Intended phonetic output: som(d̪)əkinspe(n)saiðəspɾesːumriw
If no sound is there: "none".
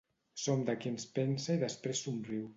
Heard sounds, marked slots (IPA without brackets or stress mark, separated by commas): d̪, n